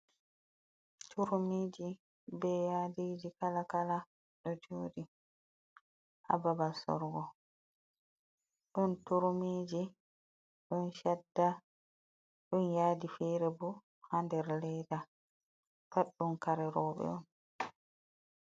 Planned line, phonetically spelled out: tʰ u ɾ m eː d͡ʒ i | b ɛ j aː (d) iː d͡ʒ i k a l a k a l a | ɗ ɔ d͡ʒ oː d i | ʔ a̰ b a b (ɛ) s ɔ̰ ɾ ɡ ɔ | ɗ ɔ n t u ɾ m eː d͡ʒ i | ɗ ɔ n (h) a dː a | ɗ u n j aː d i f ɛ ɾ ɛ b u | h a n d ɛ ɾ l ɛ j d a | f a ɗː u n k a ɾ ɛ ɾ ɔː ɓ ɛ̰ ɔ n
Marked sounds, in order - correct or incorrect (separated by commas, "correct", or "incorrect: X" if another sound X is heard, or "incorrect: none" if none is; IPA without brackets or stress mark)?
correct, incorrect: a, incorrect: ʃ